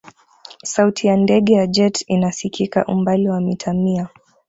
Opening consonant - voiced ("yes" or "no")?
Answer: no